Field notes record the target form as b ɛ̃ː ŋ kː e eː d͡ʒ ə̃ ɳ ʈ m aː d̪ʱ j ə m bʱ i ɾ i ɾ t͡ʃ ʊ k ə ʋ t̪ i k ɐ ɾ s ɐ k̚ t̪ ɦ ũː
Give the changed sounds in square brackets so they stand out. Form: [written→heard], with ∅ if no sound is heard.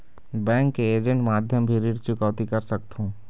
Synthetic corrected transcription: b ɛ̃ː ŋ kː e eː d͡ʒ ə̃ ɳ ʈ m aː d̪ʱ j ə m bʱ i ɾ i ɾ t͡ʃ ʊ k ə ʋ t̪ i k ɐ ɾ s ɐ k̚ t̪ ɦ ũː